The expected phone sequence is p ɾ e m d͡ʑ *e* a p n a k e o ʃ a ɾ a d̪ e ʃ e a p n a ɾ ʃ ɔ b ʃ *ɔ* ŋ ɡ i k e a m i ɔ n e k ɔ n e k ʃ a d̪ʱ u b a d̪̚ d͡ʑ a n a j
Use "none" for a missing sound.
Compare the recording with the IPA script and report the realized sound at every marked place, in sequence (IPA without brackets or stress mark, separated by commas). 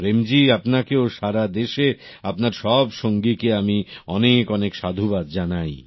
i, o